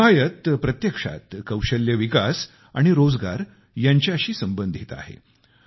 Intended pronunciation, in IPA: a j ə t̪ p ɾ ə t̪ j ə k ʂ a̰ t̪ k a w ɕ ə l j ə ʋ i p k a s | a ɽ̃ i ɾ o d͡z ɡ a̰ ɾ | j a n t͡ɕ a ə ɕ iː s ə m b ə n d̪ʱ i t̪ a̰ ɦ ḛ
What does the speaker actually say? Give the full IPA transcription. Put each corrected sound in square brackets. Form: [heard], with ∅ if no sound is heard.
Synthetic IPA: a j ə t̪ p ɾ ə t̪ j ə k ʂ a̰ t̪ k [ə] w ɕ ə l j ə ʋ i [∅] k a s | a ɽ̃ i ɾ o d͡z ɡ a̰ ɾ | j a [ɲ] t͡ɕ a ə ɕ iː s ə m b ə n d̪ʱ i t̪ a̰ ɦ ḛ